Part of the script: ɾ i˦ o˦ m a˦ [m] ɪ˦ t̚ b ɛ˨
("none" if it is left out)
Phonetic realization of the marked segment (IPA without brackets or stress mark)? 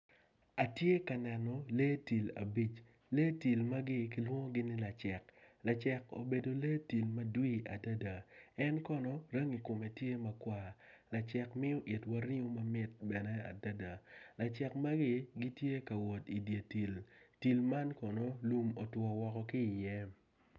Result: m